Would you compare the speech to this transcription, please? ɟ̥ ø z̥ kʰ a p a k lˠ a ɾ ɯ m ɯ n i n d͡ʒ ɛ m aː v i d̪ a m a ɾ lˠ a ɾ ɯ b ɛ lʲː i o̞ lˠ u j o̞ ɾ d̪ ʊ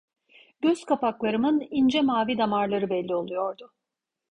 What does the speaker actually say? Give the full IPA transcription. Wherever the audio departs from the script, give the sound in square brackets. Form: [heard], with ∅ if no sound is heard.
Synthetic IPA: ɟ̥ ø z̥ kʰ a p a k lˠ a ɾ ɯ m ɯ n i n d͡ʒ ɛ m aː v i d̪ a m a ɾ lˠ a ɾ ɯ b ɛ lʲː i o̞ lˠ u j o̞ ɾ d̪ ʊ